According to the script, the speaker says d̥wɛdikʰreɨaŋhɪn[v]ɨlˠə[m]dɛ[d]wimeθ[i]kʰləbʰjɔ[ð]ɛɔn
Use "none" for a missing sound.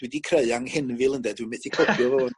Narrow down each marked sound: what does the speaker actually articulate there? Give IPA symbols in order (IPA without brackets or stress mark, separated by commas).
v, n, d, i, v